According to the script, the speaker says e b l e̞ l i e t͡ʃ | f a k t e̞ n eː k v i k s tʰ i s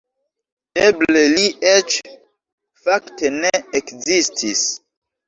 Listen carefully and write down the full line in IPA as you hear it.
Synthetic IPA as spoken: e b l e̞ l i e t͡ʃ | f a k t e̞ n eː k z i s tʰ i s